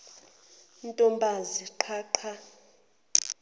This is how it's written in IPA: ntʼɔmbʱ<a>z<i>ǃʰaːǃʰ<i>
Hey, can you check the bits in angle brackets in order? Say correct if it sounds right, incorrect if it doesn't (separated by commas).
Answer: correct, correct, incorrect